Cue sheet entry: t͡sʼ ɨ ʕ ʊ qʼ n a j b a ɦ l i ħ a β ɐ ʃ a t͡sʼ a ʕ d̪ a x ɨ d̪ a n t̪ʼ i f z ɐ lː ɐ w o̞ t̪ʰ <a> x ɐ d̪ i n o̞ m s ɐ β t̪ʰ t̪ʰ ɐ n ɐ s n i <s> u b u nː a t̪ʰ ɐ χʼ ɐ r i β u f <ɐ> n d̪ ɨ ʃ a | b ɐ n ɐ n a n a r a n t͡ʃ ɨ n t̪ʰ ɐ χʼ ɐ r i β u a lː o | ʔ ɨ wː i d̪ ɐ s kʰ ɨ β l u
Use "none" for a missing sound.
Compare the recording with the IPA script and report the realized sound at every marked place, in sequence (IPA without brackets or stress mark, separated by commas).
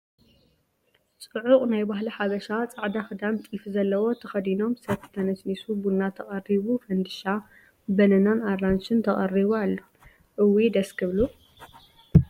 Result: ɐ, s, ɐ